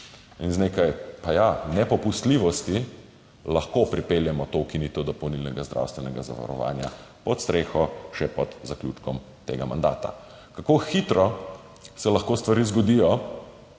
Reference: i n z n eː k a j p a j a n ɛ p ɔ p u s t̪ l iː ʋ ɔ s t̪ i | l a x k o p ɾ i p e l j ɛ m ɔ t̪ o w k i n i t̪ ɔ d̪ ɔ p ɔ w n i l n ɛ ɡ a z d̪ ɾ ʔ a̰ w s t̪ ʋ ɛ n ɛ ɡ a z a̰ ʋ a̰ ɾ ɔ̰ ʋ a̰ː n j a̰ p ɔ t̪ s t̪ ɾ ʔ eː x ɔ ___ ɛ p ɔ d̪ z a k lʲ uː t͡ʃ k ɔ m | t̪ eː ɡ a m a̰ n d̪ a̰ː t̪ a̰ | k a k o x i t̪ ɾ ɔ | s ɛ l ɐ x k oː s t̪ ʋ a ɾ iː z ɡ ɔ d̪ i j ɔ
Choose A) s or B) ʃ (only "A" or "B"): B